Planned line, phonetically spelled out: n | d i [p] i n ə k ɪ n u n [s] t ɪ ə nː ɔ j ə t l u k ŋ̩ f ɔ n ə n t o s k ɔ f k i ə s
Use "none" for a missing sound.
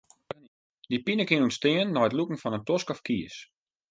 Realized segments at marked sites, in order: p, s

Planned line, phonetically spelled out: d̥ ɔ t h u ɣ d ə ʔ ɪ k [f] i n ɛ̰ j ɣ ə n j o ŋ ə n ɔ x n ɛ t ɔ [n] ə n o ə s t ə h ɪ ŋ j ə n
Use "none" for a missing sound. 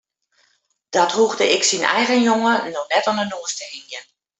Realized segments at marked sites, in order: s, n

